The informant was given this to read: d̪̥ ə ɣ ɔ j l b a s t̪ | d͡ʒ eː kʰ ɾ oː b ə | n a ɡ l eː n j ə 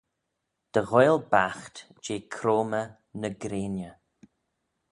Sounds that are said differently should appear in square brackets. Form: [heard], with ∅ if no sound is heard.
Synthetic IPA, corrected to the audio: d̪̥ ə ɣ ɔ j l b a [x] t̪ | d͡ʒ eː kʰ ɾ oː [m] ə | n [ə] ɡ [ɾ] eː n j ə